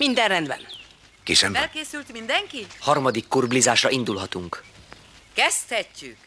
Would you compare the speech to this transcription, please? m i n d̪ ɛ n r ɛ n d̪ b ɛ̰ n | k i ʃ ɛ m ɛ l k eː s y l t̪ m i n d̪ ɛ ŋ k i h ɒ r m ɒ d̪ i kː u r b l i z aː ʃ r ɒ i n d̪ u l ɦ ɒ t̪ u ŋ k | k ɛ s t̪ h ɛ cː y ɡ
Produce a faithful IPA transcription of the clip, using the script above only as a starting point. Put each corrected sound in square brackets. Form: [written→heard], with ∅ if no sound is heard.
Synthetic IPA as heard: m i n d̪ ɛ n r ɛ n d̪ b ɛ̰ n | k i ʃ ɛ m ɛ l k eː s y l t̪ m i n d̪ ɛ ŋ k i h ɒ r m ɒ d̪ i kː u r b l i z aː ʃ r ɒ i n d̪ u l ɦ ɒ t̪ u ŋ k | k ɛ s t̪ h ɛ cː y [ɡ→k]